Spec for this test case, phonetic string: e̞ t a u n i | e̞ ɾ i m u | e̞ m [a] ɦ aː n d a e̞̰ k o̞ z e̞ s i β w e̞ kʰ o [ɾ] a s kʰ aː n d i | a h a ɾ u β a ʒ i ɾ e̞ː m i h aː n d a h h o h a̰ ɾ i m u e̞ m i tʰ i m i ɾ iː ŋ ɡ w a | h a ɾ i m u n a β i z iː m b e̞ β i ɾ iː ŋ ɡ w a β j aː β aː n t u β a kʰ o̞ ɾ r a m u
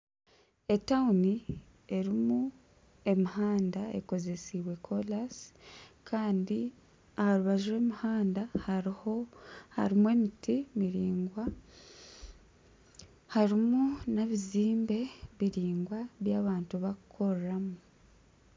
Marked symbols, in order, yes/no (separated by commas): no, no